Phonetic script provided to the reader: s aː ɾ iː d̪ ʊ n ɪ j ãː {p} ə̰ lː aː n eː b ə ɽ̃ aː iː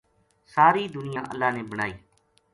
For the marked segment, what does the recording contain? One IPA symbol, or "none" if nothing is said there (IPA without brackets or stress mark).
ʔ